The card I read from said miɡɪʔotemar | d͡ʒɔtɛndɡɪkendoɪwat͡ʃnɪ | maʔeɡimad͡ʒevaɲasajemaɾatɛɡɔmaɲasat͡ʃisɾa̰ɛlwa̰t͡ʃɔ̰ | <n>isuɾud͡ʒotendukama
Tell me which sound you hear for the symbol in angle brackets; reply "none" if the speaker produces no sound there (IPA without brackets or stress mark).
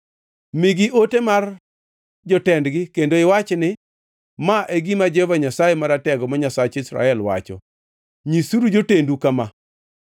ɲ